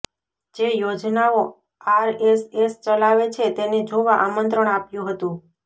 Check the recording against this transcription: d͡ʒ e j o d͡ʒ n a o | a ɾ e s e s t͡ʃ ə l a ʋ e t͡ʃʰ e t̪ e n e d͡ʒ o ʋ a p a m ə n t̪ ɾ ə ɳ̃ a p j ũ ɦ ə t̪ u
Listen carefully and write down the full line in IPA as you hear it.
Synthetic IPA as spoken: d͡ʒ e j o d͡ʒ n a o | a ɾ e s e s t͡ʃ ə l a ʋ e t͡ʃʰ e t̪ e n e d͡ʒ o ʋ a ʔ a m ə n t̪ ɾ ə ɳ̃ a p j ũ ɦ ə t̪ ũ

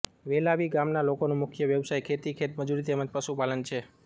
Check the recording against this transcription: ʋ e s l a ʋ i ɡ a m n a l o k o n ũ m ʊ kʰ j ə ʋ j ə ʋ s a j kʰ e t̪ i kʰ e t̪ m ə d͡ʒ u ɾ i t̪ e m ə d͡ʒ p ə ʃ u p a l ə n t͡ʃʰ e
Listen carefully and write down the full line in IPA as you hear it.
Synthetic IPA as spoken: ʋ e l a ʋ i ɡ a m n a l o k o n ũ m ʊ kʰ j ə ʋ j ə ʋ s a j kʰ e t̪ i kʰ e t̪ m ə d͡ʒ u ɾ i t̪ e m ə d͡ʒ p ə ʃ u p a l ə n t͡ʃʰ e

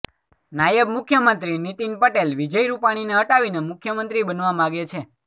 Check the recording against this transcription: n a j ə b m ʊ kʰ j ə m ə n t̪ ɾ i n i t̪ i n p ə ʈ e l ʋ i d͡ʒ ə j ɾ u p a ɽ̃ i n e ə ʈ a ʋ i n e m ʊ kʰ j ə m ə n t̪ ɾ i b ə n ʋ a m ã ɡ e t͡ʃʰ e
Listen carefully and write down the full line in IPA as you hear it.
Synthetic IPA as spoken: n a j ə b m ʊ kʰ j ə m ə n t̪ ɾ i n i t̪ i n p ə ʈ e l ʋ i d͡ʒ ə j ɾ u p a ɽ̃ i n e ə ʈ a ʋ i n e m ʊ kʰ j ə m ə n t̪ ɾ i b ə n ʋ a m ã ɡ e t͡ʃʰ e

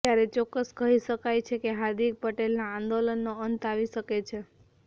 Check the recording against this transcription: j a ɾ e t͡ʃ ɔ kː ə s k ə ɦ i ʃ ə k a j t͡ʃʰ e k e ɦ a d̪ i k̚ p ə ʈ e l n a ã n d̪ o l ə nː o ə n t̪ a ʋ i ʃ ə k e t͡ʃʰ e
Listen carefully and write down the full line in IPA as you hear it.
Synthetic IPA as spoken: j a ɾ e t͡ʃ ɔ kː ə s k ə ɦ i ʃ ə k a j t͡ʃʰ e k e ɦ a d̪ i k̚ p ə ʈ e l n a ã n d̪ o l ə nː o ə n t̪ a ʋ i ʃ ə k e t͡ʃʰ e

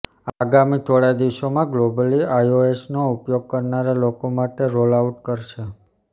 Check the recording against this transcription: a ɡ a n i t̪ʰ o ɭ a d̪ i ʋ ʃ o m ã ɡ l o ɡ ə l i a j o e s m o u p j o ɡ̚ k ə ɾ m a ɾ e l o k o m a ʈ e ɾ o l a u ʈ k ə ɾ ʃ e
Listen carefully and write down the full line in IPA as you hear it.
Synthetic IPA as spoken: a ɡ a m i t̪ʰ o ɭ a d̪ i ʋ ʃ o m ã ɡ l o b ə l i a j o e s n o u p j o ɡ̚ k ə ɾ n a ɾ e l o k o m a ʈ e ɾ o l a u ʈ k ə ɾ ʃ e

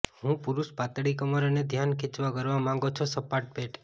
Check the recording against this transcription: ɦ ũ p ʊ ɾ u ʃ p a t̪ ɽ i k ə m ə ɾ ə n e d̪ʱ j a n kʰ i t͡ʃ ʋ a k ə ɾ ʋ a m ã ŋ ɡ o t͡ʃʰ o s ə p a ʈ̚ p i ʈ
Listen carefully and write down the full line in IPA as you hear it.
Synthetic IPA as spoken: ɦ ũ p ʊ ɾ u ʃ p a t̪ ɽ i k ə m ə ɾ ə n e d̪ʱ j a n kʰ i t͡ʃ ʋ a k ə ɾ ʋ a m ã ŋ ɡ o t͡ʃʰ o s ə p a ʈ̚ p e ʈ

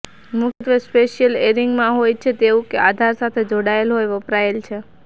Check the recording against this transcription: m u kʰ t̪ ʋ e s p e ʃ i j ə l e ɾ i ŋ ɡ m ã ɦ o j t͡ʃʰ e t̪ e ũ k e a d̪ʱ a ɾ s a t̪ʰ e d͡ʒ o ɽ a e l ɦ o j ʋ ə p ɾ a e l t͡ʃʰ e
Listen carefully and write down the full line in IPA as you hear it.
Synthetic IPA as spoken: m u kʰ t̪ ʋ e s p e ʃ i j ə l e ɾ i ŋ ɡ m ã ɦ o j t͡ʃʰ e t̪ e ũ k e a d̪ʱ a ɾ s a t̪ʰ e d͡ʒ o ɽ a e l ɦ o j ʋ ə p ɾ a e l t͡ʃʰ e

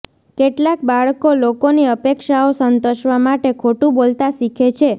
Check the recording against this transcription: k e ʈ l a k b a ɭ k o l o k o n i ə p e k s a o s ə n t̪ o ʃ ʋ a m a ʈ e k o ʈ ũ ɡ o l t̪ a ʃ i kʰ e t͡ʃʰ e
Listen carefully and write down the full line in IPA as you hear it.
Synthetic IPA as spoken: k e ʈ l a k b a ɭ k o l o k o n i ə p e k ʃ a o s ə n t̪ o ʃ ʋ a m a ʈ e kʰ o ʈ ũ b o l t̪ a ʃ i kʰ e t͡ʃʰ e

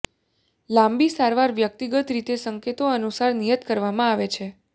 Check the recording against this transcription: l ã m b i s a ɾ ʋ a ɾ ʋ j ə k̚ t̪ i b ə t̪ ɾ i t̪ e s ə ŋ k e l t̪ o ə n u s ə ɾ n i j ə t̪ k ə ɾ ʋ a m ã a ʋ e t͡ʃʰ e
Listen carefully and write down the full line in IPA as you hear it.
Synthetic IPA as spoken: l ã m b i s a ɾ ʋ a ɾ ʋ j ə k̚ t̪ i ɡ ə t̪ ɾ i t̪ e s ə ŋ k e t̪ o ə n u s a ɾ n i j ə t̪ k ə ɾ ʋ a m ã a ʋ e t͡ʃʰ e

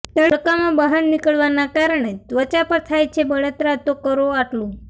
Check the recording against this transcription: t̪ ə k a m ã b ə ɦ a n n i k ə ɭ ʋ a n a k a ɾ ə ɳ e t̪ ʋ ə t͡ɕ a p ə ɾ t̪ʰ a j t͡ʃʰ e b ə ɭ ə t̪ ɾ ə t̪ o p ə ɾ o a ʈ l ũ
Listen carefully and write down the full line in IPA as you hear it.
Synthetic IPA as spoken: t̪ ə k a m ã b ə ɦ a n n i k ə ɭ ʋ a n a k a ɾ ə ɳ e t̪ ʋ ə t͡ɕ a p ə ɾ t̪ʰ a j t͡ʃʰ e b ə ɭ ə t̪ ɾ a t̪ o k ə ɾ o a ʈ l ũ

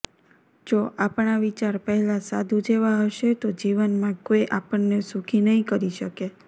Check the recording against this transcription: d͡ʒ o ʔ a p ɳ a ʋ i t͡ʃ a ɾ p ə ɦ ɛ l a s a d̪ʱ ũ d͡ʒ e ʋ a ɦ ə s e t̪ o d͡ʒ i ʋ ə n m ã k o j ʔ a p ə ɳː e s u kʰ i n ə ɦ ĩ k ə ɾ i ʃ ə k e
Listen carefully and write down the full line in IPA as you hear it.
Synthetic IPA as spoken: d͡ʒ o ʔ a p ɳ a ʋ i t͡ʃ a ɾ p ə ɦ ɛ l a s a d̪ʱ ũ d͡ʒ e ʋ a ɦ ə ʃ e t̪ o d͡ʒ i ʋ ə n m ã k o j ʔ a p ə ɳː e s u kʰ i n ə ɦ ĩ k ə ɾ i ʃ ə k e

